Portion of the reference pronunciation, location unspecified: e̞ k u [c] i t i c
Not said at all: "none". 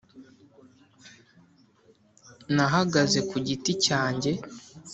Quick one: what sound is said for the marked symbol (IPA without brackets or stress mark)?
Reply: ɟ